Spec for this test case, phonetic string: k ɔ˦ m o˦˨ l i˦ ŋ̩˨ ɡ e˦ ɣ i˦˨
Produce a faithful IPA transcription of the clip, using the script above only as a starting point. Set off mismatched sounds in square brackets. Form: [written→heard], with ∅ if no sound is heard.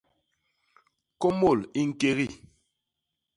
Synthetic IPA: k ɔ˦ m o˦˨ l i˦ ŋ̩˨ [ɡ→k] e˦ ɣ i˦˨